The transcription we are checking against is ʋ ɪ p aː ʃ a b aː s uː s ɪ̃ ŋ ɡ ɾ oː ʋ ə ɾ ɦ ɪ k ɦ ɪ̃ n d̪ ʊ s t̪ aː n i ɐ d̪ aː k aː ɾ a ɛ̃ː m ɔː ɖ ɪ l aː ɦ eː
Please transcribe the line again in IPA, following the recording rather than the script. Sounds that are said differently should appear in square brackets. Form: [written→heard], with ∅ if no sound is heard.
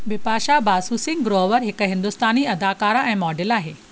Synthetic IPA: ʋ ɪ p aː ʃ a b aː s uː s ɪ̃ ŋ ɡ ɾ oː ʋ ə ɾ ɦ ɪ k ɦ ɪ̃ n d̪ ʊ s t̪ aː n i ɐ d̪ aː k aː ɾ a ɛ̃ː m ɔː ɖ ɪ l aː ɦ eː